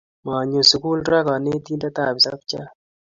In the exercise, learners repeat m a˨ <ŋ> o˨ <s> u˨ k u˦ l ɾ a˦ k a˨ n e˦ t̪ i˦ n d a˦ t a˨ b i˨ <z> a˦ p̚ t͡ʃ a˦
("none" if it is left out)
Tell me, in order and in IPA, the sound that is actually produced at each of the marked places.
ɲ, s, s

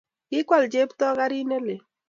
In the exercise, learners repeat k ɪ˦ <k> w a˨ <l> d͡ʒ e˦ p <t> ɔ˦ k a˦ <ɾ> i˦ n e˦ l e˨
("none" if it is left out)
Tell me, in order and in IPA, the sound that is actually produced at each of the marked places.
k, l, t, ɾ

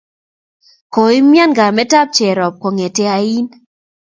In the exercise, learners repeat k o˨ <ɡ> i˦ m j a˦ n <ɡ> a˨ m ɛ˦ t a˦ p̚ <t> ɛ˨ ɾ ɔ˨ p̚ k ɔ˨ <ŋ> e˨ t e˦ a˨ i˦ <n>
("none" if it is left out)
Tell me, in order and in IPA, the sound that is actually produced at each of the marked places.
none, ɡ, t͡ʃ, ŋ, n

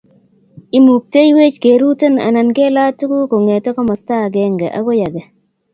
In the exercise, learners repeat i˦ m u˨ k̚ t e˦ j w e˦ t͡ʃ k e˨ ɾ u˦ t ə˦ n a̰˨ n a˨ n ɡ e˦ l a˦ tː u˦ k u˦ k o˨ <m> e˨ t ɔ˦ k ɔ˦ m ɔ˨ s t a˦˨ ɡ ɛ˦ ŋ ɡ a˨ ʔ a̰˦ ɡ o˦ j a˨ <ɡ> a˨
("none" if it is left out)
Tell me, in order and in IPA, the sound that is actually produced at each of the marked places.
ŋ, ɡ

